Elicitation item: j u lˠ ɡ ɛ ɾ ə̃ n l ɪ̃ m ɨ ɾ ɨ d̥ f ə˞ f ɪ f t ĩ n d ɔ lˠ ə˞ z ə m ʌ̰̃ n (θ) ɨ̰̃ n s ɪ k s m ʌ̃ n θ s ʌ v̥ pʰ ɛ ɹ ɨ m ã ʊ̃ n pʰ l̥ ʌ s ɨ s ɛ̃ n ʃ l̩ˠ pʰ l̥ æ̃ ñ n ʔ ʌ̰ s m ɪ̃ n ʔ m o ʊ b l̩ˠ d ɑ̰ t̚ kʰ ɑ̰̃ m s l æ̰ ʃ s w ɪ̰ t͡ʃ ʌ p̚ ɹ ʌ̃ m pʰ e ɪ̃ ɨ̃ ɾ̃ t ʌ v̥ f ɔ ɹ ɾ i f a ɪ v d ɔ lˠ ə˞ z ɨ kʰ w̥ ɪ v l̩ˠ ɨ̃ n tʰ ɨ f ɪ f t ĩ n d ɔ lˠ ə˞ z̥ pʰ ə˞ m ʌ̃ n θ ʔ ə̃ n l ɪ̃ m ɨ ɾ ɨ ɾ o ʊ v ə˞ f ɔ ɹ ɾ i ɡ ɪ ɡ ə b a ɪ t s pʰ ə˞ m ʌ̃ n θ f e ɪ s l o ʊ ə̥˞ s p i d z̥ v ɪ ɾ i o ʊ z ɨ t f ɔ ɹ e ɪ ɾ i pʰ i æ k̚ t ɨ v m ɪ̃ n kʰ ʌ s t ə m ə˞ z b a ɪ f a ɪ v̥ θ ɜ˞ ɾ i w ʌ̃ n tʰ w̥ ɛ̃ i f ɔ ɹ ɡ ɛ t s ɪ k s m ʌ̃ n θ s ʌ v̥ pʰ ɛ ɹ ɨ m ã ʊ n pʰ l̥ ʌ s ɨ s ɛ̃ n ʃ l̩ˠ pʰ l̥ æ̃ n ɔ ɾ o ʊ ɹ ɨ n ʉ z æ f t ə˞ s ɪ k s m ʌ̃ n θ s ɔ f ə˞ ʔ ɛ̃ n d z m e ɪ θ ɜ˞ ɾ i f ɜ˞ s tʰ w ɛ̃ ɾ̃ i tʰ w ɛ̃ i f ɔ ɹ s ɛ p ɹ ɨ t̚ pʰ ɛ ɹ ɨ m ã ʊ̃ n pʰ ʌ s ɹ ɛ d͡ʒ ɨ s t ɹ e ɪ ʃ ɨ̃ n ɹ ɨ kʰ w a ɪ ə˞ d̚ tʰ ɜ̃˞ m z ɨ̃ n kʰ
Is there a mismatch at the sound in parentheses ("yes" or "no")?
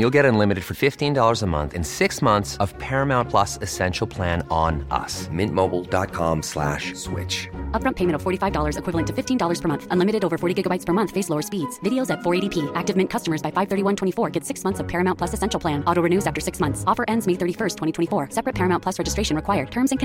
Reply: no